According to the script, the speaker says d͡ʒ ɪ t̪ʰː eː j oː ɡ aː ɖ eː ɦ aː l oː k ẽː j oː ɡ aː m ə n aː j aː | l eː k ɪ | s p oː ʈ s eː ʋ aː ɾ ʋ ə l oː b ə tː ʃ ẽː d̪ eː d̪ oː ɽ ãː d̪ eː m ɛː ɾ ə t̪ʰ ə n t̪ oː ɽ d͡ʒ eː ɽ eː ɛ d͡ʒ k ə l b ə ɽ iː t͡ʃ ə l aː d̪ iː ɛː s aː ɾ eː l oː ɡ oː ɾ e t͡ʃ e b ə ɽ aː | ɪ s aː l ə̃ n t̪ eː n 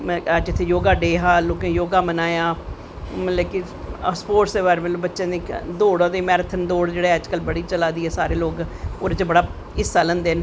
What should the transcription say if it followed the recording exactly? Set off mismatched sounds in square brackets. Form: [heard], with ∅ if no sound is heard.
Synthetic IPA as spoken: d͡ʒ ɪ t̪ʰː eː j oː ɡ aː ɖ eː ɦ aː l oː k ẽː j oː ɡ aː m ə n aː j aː | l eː k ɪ | s p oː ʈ s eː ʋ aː ɾ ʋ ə l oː b ə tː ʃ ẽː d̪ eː d̪ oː ɽ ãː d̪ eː m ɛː ɾ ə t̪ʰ ə n [d̪] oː ɽ d͡ʒ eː ɽ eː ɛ d͡ʒ k ə l b ə ɽ iː t͡ʃ ə l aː d̪ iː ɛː s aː ɾ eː l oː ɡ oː ɾ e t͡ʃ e b ə ɽ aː | ɪ s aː l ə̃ n [d̪] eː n